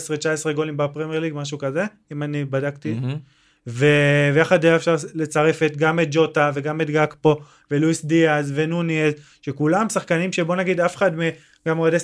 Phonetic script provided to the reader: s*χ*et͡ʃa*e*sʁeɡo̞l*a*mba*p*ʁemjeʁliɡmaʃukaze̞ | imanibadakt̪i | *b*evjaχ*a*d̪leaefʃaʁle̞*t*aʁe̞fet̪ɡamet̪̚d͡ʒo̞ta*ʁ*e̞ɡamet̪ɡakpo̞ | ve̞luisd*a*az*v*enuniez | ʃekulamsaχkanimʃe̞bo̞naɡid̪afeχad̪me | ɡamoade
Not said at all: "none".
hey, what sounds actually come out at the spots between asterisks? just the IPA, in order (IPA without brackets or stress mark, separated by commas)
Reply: ʁ, e, i, p, v, a, t͡s, v, i, v